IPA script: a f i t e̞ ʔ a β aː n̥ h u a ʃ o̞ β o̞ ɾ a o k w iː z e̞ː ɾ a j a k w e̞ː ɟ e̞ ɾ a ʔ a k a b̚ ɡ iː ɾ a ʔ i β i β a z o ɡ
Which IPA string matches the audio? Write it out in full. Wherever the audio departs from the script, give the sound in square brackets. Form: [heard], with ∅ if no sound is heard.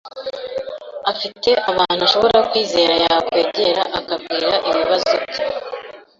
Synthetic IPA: a f i t e̞ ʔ a β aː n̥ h u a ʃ o̞ β o̞ ɾ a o k w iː z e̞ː ɾ a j a k w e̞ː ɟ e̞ ɾ a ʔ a k a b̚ ɡ iː ɾ a ʔ i β i β a z o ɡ